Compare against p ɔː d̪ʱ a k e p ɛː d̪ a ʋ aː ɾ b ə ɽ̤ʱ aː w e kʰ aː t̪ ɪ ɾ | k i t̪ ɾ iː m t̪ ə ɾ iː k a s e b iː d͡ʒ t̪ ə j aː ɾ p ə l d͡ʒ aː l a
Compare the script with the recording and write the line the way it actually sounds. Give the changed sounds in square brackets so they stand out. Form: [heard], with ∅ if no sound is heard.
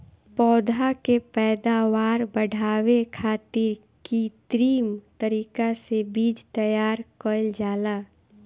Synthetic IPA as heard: p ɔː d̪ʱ a k e p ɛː d̪ a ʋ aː ɾ b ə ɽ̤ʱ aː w e kʰ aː t̪ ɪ ɾ | k i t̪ ɾ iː m t̪ ə ɾ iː k a s e b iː d͡ʒ t̪ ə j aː ɾ [k] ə l d͡ʒ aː l a